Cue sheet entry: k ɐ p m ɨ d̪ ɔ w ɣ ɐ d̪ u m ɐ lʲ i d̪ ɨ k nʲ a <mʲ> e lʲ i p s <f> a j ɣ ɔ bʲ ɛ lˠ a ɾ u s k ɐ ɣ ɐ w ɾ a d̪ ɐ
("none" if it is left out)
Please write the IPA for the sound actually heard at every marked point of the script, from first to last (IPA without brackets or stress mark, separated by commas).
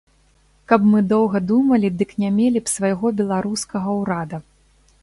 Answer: mʲ, v